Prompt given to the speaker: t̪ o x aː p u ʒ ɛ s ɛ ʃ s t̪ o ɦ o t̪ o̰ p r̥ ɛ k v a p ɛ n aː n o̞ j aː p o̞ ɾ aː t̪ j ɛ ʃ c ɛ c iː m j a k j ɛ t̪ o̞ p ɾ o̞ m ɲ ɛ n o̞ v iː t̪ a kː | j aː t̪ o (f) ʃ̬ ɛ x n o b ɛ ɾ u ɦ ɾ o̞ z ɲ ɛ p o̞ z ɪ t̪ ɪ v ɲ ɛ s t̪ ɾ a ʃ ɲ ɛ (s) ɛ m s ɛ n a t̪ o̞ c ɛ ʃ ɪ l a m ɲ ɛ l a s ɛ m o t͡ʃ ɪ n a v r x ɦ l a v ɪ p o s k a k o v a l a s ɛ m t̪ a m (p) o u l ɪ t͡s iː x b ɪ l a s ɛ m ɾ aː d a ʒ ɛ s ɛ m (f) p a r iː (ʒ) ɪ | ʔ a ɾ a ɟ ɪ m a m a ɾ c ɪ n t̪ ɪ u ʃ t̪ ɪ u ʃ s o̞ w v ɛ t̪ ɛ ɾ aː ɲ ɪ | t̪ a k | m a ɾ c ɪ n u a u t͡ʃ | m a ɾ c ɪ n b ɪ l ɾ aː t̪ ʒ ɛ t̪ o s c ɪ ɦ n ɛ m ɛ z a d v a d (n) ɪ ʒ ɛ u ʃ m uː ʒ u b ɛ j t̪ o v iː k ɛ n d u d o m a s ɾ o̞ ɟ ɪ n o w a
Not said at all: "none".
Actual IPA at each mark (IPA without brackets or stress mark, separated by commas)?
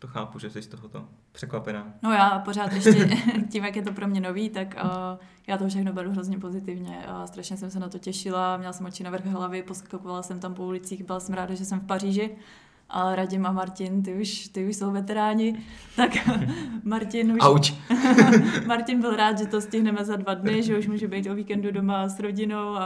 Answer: f, s, p, f, ʒ, n